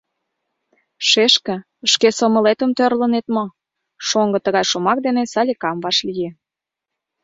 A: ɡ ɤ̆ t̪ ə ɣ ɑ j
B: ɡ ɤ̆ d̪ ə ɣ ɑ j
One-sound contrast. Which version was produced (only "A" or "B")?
A